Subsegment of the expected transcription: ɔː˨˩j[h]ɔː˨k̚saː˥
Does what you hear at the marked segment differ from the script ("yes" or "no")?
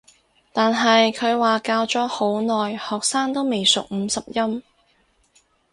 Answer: no